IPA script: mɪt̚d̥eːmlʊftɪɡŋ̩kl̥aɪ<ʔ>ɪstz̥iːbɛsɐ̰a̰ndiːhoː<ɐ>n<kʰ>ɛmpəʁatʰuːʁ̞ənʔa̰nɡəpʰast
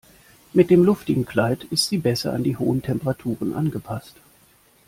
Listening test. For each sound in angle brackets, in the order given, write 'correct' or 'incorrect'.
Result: incorrect: t, incorrect: ə, incorrect: tʰ

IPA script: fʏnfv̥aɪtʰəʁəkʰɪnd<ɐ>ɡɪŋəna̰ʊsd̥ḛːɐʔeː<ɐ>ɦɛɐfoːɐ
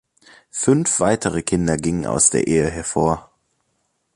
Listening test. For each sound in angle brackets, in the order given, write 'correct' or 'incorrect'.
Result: correct, incorrect: ə

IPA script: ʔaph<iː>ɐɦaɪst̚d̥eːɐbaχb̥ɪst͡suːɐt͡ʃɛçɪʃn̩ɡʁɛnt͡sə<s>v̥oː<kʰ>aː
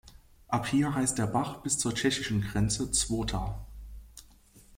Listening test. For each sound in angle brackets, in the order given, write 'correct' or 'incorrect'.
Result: correct, incorrect: t͡s, incorrect: tʰ

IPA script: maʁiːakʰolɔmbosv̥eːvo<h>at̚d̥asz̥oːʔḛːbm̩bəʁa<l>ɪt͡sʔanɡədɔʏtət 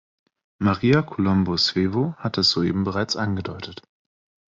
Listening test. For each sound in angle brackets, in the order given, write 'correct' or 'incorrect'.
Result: correct, incorrect: none

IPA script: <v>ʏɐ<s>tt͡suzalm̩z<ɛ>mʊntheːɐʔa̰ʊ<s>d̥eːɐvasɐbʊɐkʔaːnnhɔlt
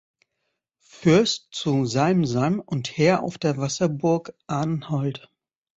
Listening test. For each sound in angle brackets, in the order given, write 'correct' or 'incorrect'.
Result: incorrect: f, correct, incorrect: a, incorrect: f

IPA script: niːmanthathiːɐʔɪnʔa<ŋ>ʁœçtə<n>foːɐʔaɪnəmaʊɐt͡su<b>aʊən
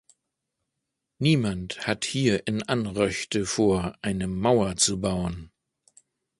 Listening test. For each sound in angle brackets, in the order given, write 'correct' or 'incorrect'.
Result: incorrect: n, incorrect: none, correct

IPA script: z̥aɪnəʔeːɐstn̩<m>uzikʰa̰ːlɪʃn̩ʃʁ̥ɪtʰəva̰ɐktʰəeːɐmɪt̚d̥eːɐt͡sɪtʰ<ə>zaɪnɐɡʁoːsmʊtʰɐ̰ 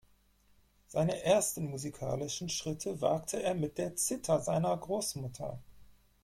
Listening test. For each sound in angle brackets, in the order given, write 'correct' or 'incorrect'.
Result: correct, incorrect: ɐ

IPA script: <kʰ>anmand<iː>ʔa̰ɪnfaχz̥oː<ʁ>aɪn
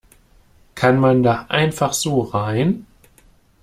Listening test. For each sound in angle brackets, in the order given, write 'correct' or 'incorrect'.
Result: correct, incorrect: aː, correct

